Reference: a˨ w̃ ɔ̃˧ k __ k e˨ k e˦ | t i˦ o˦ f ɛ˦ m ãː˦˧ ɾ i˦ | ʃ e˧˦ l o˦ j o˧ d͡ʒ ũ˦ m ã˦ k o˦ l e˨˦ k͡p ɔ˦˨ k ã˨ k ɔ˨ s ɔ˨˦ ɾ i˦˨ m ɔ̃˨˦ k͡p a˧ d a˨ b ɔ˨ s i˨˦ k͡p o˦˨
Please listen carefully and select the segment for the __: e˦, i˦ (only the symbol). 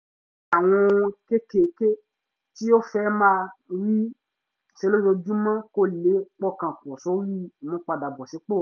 e˦